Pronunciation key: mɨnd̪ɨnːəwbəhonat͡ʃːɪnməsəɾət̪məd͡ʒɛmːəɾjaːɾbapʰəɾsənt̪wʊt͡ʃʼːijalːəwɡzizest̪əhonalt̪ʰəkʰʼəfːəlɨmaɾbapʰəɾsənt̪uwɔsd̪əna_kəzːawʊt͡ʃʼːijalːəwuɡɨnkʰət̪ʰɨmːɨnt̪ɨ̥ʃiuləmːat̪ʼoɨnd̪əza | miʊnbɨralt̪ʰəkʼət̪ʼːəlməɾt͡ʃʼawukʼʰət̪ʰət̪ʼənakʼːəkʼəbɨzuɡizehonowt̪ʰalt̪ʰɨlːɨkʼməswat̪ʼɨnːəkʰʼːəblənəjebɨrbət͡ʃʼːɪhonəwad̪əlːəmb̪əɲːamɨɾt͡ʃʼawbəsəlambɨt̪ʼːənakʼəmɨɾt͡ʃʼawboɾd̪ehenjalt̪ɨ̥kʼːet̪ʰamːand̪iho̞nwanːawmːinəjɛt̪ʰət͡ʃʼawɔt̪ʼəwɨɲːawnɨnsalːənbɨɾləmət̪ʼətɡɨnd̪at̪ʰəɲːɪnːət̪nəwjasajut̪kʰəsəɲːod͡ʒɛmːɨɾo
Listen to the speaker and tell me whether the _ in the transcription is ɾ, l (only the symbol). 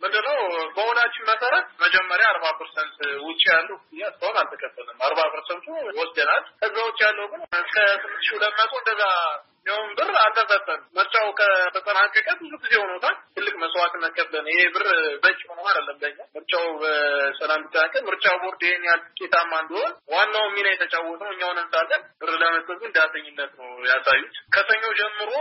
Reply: l